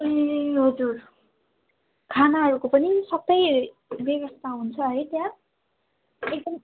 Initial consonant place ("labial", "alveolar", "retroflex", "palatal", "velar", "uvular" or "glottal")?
glottal